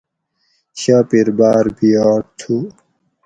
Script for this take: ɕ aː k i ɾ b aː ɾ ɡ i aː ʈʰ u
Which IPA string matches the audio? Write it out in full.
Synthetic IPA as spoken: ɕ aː p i ɾ b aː ɾ b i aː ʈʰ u